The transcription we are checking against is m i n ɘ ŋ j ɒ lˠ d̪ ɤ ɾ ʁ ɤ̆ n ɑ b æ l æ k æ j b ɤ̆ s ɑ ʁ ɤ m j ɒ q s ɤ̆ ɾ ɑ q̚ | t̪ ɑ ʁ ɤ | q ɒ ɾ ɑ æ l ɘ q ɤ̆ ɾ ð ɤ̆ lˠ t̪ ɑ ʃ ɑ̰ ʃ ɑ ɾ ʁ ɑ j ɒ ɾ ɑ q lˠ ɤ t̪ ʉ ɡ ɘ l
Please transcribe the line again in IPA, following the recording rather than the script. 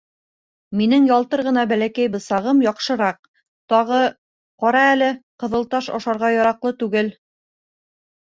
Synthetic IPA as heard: m i n ɘ ŋ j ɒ lˠ t̪ ɤ ɾ ʁ ɤ̆ n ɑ b æ l æ k æ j b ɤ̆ s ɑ ʁ ɤ m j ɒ q ʃ ɤ̆ ɾ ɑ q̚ | t̪ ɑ ʁ ɤ | q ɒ ɾ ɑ æ l ɘ q ɤ̆ ð ɤ̆ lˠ t̪ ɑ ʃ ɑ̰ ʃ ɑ ɾ ʁ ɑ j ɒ ɾ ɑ q lˠ ɤ t̪ ʉ ɡ ɘ l

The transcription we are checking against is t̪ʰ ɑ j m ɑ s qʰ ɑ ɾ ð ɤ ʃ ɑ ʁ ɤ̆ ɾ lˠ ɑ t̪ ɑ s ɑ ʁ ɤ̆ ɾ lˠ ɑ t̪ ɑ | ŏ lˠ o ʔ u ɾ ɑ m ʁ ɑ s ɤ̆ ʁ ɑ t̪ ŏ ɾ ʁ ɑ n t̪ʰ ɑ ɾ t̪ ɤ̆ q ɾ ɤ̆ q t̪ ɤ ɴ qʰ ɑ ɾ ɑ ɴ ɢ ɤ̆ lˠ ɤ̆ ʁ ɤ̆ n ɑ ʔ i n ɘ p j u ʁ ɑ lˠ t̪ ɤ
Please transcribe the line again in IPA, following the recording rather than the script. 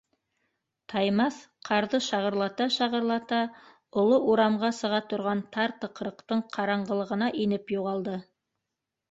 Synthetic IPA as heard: t̪ʰ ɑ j m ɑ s qʰ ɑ ɾ ð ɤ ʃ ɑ ʁ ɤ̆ ɾ lˠ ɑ t̪ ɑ ʃ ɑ ʁ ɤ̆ ɾ lˠ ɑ t̪ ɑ | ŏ lˠ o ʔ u ɾ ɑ m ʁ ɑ s ɤ̆ ʁ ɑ t̪ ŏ ɾ ʁ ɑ n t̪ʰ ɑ ɾ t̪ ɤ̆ q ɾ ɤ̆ q t̪ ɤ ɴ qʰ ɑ ɾ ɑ ɴ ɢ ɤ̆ lˠ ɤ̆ ʁ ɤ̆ n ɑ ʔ i n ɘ p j u ʁ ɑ lˠ d̪ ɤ

